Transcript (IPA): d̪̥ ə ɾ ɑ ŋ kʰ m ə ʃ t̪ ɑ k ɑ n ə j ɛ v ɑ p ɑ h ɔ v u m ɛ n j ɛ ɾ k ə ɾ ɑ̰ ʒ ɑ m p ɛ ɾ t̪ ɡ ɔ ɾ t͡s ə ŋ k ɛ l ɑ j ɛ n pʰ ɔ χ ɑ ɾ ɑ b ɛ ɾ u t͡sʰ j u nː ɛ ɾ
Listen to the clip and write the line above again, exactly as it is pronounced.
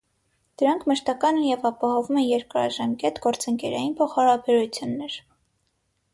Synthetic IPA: d̪̥ ə ɾ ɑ ŋ kʰ m ə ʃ t̪ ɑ k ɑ n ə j ɛ v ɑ p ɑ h ɔ v u m ɛ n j ɛ ɾ k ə ɾ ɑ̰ ʒ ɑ m k ɛ t̪ ɡ ɔ ɾ t͡s ə ŋ k ɛ ɾ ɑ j i n pʰ ɔ χ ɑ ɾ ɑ b ɛ ɾ u t͡sʰ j u nː ɛ ɾ